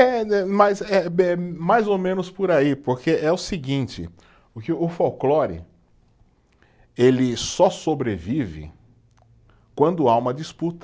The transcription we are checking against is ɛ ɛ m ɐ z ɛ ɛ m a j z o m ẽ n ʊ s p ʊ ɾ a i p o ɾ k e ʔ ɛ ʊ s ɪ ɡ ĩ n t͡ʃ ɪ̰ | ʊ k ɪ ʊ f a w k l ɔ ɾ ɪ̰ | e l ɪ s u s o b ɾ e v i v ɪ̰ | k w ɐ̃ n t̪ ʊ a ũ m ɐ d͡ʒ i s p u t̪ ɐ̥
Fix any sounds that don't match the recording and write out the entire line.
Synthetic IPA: ɛ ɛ m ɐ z ɛ ɛ m a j z o m ẽ n ʊ s p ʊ ɾ a i p o ɾ k e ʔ ɛ ʊ s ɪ ɡ ĩ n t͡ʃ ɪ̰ | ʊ k ɪ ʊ f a w k l ɔ ɾ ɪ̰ | e l ɪ s ɔ s o b ɾ e v i v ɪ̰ | k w ɐ̃ n d̪ ʊ a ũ m ɐ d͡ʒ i s p u t̪ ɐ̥